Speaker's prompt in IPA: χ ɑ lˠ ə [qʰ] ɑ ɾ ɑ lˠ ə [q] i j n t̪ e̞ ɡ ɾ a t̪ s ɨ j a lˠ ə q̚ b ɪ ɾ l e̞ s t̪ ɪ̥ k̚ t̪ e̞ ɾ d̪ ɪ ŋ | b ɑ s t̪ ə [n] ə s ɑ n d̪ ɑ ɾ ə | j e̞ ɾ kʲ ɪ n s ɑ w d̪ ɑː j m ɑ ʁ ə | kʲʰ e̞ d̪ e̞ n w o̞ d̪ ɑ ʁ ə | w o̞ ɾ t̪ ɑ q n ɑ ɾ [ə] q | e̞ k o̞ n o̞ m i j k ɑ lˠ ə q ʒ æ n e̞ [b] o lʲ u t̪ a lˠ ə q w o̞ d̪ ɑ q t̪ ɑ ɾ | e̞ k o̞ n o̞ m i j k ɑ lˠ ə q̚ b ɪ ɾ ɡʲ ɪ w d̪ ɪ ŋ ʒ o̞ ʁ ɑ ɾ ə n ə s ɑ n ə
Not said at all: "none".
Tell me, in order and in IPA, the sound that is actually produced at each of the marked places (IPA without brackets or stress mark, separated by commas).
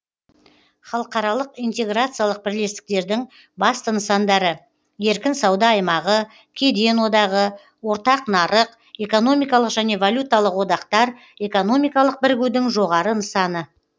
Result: q, q, n, ə, v